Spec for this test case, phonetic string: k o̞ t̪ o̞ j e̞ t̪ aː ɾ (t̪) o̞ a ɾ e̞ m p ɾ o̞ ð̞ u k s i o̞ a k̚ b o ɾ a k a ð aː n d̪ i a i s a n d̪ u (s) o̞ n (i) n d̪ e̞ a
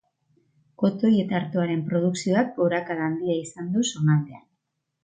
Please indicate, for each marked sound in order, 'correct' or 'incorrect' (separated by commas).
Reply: correct, correct, incorrect